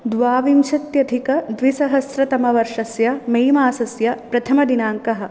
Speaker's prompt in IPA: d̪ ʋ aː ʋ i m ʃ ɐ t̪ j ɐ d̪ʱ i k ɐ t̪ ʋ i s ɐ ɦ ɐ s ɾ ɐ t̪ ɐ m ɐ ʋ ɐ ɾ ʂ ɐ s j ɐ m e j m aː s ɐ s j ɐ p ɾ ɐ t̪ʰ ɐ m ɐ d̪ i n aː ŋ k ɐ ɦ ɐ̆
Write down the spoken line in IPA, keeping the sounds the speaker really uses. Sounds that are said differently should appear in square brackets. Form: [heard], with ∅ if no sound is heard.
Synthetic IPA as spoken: d̪ ʋ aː ʋ i m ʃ ɐ t̪ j ɐ d̪ʱ i k ɐ [d̪] ʋ i s ɐ ɦ ɐ s ɾ ɐ t̪ ɐ m ɐ ʋ ɐ ɾ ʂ ɐ s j ɐ m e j m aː s ɐ s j ɐ p ɾ ɐ t̪ʰ ɐ m ɐ d̪ i n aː ŋ k ɐ ɦ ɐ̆

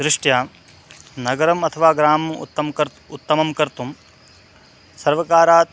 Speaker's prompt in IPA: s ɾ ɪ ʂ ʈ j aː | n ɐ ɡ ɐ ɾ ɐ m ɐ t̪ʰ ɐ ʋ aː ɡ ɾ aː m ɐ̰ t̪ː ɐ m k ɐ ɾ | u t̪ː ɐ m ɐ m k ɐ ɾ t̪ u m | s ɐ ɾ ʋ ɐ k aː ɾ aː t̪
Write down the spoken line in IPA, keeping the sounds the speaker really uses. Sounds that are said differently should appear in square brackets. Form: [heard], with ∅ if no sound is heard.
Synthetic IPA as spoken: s ɾ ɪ ʂ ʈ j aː | n ɐ ɡ ɐ ɾ ɐ m ɐ t̪ʰ ɐ ʋ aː ɡ ɾ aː m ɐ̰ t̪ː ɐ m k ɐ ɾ | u t̪ː ɐ m ɐ m k ɐ ɾ t̪ u m | s ɐ ɾ ʋ ɐ k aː ɾ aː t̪

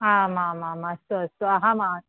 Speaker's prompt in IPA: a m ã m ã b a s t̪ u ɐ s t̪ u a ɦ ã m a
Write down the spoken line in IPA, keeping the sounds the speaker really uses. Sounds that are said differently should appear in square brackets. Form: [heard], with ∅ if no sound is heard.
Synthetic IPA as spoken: a m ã m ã [m] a s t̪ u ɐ s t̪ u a ɦ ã m a

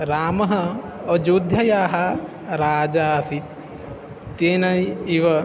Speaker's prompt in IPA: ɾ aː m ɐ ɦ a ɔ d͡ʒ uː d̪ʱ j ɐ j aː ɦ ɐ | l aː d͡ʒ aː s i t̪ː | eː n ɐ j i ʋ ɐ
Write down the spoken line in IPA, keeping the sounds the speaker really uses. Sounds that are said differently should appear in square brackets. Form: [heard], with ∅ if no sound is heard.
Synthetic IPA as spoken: ɾ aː m ɐ ɦ [ɐ] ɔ d͡ʒ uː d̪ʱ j ɐ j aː ɦ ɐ | [ɾ] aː d͡ʒ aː s i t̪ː | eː n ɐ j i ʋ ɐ

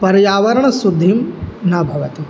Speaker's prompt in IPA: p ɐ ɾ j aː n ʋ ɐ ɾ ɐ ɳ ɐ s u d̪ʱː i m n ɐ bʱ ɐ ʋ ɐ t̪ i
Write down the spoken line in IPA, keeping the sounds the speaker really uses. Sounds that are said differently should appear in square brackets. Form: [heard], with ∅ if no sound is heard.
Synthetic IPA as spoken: p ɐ ɾ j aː [∅] ʋ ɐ ɾ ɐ ɳ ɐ s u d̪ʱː i m n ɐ bʱ ɐ ʋ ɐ t̪ i

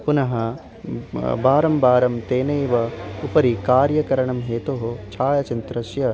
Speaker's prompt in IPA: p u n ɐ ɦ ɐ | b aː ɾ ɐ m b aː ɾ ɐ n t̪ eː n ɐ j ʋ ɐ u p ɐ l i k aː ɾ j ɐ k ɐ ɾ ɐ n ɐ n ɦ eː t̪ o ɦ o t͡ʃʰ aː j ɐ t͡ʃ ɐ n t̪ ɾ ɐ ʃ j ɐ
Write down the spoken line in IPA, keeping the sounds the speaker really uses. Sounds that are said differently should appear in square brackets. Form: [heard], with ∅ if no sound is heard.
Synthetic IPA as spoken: p u n ɐ ɦ ɐ | b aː ɾ ɐ m b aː ɾ ɐ [m] t̪ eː n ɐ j ʋ ɐ u p ɐ [ɾ] i k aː ɾ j ɐ k ɐ ɾ ɐ [ɳ] ɐ [m] ɦ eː t̪ o ɦ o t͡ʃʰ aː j ɐ t͡ʃ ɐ n t̪ ɾ ɐ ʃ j ɐ

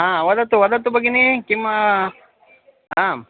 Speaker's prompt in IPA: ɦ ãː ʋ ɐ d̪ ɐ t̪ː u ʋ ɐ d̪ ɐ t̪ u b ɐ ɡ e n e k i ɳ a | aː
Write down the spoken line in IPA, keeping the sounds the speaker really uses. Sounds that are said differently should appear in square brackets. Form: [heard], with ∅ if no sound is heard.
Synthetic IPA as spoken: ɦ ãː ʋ ɐ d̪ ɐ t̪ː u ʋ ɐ d̪ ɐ t̪ u b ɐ ɡ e n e k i [m] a | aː

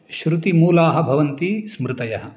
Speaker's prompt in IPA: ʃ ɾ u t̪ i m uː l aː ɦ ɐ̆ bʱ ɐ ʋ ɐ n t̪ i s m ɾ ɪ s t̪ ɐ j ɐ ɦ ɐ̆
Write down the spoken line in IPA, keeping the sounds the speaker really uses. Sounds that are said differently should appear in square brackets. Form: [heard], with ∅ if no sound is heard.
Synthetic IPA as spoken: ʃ ɾ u t̪ i m uː l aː ɦ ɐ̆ bʱ ɐ ʋ ɐ n t̪ i s m ɾ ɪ [∅] t̪ ɐ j ɐ ɦ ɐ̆

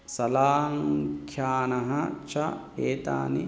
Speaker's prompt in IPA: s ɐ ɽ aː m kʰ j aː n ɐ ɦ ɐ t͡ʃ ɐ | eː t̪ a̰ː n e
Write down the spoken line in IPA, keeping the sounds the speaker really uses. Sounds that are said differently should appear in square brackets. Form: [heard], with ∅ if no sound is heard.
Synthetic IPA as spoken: s ɐ [l] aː [ŋ] kʰ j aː n ɐ ɦ ɐ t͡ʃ ɐ | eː t̪ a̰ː n [i]

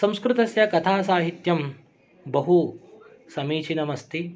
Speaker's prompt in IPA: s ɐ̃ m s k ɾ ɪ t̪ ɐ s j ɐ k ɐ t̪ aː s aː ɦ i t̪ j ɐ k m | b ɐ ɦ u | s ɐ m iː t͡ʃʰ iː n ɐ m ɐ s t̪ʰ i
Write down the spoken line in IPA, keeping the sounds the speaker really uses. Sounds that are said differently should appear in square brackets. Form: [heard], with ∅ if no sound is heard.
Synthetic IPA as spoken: s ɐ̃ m s k ɾ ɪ t̪ ɐ s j ɐ k ɐ [t̪ʰ] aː s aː ɦ i t̪ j ɐ [∅] m | b ɐ ɦ u | s ɐ m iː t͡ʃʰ [i] n ɐ m ɐ s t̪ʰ i

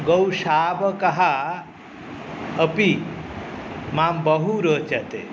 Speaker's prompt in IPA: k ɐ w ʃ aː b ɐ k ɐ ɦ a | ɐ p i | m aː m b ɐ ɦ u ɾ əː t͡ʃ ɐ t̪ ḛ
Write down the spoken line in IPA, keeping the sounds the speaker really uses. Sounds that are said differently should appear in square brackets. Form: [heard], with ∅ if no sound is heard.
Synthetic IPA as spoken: [ɡ] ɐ w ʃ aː b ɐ k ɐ ɦ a | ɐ p i | m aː m b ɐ ɦ u ɾ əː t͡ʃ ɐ t̪ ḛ

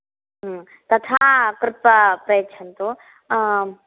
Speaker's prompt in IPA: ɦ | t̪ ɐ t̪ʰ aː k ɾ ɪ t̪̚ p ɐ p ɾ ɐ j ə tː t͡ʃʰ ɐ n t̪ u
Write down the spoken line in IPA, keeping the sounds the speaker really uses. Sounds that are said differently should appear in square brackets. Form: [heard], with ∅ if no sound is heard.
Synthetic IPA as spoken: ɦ | t̪ ɐ t̪ʰ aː k ɾ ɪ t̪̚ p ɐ p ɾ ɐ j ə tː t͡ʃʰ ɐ n t̪ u

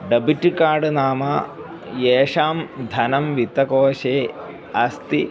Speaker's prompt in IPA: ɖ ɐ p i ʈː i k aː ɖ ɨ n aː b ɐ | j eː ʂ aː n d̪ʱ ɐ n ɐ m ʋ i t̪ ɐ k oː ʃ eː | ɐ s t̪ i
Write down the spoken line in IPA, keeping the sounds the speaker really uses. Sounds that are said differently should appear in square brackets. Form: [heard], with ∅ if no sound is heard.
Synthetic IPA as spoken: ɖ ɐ [b] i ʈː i k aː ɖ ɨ n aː [m] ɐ | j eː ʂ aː [m] d̪ʱ ɐ n ɐ m ʋ i t̪ ɐ k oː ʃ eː | ɐ s t̪ i

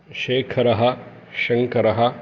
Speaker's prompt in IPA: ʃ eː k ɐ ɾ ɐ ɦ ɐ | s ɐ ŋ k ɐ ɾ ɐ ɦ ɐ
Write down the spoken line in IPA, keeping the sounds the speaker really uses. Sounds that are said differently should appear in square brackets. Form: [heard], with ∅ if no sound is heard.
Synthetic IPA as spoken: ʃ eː [kʰ] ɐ ɾ ɐ ɦ ɐ | [ʃ] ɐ ŋ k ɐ ɾ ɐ ɦ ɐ

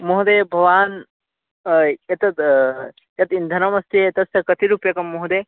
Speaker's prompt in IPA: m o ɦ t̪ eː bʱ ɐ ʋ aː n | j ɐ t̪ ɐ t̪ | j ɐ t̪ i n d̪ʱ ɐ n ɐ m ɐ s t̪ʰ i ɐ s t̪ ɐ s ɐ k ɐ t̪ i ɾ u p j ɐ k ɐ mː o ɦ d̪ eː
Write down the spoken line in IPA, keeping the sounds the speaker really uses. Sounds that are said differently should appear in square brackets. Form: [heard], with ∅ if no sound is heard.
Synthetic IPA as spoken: m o ɦ [d̪] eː bʱ ɐ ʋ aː n | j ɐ t̪ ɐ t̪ | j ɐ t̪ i n d̪ʱ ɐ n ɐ m ɐ s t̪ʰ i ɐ [∅] t̪ ɐ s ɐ k ɐ t̪ i ɾ u p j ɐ k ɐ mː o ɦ d̪ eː

